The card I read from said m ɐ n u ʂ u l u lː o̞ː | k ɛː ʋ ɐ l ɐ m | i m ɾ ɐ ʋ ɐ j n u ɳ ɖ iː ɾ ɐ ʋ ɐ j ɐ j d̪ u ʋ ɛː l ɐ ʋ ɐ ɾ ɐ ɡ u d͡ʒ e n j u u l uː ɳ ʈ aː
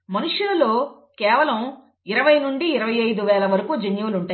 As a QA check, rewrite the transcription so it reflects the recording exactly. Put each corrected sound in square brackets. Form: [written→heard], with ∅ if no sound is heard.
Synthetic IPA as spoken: m ɐ n u ʂ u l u [lː→l] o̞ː | k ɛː ʋ ɐ l ɐ m | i [m→∅] ɾ ɐ ʋ ɐ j n u ɳ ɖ iː ɾ ɐ ʋ ɐ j ɐ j d̪ u ʋ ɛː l ɐ ʋ ɐ ɾ ɐ [ɡ→k] u d͡ʒ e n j u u l [uː→u] ɳ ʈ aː

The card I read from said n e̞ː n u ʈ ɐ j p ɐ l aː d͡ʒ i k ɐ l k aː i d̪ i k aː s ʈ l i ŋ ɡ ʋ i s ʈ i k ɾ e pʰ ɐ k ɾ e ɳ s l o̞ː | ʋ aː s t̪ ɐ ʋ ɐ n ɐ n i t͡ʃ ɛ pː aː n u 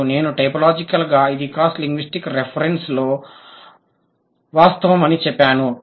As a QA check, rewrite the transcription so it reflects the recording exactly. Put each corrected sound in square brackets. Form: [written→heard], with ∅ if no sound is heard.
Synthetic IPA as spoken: n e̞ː n u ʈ ɐ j p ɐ l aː d͡ʒ i k ɐ l [k→ɡ] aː i d̪ i k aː s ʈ l i ŋ ɡ ʋ i s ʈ i k ɾ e pʰ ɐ [k→∅] ɾ e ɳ s l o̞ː | ʋ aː s t̪ ɐ ʋ ɐ [n→m] ɐ n i t͡ʃ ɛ pː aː n u

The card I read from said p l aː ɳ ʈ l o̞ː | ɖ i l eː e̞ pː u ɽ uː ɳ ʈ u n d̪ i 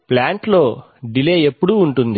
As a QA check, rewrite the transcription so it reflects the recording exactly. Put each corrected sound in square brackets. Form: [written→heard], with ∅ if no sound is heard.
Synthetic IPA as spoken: p l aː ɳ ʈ l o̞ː | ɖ i l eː e̞ pː u ɽ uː ɳ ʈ u n d̪ i

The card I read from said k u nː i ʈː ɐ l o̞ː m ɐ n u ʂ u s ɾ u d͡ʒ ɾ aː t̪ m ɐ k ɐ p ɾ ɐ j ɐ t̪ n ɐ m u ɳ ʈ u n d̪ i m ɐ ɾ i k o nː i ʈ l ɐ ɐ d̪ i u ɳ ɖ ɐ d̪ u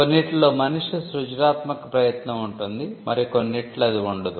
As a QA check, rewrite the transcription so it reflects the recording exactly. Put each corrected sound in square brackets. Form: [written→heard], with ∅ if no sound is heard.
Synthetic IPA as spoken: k [u→o] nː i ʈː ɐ l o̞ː m ɐ n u ʂ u s ɾ u d͡ʒ ɾ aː t̪ m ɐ k ɐ p ɾ ɐ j ɐ t̪ n ɐ m u ɳ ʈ u n d̪ i m ɐ ɾ i k o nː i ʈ l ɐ ɐ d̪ i u ɳ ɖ ɐ d̪ u

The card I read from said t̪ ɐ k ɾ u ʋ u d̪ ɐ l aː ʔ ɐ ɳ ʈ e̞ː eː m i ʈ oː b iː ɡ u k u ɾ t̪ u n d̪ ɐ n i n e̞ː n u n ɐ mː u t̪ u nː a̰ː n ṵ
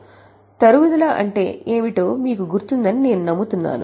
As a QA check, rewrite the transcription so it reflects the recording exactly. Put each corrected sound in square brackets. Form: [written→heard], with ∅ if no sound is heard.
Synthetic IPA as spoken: t̪ ɐ [k→∅] ɾ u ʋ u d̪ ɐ l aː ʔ ɐ ɳ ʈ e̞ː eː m i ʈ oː [b→m] iː [ɡ→k] u [k→ɡ] u ɾ t̪ u n d̪ ɐ n i n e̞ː n u n ɐ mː u t̪ u nː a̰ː n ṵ

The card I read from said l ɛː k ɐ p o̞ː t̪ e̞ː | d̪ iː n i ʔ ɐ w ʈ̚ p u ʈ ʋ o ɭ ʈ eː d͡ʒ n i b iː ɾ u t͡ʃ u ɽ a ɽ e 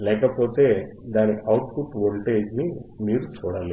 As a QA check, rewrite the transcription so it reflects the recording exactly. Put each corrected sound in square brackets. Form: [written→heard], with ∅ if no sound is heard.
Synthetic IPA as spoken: l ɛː k ɐ p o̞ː t̪ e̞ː | d̪ [iː→aː] n i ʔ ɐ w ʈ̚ p u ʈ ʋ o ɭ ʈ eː d͡ʒ n i [b→m] iː ɾ u t͡ʃ [u→uː] ɽ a [ɽ→l] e

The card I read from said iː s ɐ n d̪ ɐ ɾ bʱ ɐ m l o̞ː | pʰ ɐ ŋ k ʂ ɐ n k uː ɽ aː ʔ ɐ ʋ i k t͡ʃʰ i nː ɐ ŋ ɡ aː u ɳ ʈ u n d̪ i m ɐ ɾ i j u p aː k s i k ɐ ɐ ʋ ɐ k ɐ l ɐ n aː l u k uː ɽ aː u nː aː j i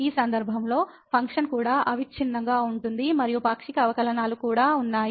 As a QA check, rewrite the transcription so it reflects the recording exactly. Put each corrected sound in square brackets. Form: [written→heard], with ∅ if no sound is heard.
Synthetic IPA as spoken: iː s ɐ n d̪ ɐ ɾ bʱ ɐ m l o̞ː | pʰ ɐ ŋ k ʂ ɐ n k uː ɽ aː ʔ ɐ ʋ i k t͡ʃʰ i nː ɐ ŋ ɡ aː u ɳ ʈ u n d̪ i m ɐ ɾ i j u p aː k [s→ʂ] i k ɐ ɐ ʋ ɐ k ɐ l ɐ n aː l u k uː ɽ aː u nː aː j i

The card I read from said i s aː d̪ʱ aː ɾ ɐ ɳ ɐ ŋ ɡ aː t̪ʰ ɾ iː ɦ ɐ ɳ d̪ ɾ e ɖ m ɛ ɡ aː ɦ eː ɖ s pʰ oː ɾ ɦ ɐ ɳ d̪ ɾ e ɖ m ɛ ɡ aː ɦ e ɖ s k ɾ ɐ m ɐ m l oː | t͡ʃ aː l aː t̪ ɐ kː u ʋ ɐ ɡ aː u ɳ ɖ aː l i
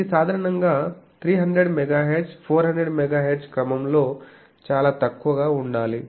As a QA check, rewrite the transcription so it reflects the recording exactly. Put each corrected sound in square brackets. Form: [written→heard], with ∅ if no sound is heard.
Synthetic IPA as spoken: i s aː d̪ʱ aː ɾ ɐ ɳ ɐ ŋ ɡ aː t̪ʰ ɾ iː ɦ ɐ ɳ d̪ ɾ e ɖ m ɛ ɡ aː ɦ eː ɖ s pʰ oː ɾ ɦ ɐ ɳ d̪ ɾ e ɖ m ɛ ɡ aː ɦ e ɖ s k ɾ ɐ m ɐ m l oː | t͡ʃ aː l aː t̪ ɐ kː u ʋ ɐ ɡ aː u ɳ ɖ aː l i

